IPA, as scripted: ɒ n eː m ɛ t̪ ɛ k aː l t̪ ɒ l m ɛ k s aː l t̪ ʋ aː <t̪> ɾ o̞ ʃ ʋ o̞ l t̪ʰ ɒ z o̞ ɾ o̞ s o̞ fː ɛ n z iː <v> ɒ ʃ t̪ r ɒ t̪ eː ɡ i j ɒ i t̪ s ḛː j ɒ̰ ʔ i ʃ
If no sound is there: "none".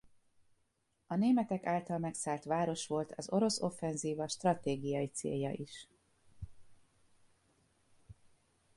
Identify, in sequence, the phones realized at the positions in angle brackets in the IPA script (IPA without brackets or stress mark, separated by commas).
none, v